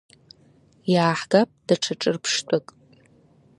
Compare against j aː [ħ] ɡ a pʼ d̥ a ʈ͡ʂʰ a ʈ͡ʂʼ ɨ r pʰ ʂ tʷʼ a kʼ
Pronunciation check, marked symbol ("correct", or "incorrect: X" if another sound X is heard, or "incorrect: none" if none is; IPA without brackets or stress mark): correct